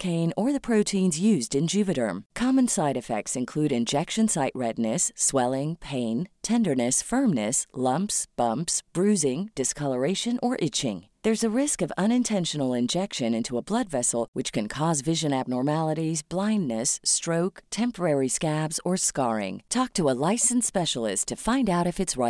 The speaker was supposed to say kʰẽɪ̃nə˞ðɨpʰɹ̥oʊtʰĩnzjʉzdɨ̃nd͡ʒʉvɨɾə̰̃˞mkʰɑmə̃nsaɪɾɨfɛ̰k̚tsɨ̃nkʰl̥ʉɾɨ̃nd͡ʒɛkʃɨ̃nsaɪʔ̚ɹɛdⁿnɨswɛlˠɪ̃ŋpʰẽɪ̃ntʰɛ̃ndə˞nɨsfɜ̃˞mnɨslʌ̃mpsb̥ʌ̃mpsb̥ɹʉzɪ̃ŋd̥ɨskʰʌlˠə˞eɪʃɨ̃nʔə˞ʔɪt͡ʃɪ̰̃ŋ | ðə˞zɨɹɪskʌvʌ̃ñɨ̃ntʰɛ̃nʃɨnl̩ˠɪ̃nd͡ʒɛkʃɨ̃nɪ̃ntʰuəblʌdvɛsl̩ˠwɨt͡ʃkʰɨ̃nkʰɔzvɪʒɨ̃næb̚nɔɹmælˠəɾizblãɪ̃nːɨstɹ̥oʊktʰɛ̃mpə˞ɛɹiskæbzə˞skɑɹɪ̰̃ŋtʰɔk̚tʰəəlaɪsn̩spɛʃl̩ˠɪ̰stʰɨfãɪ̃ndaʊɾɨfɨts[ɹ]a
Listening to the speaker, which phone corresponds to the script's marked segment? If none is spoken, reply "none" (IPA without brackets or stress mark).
ɹ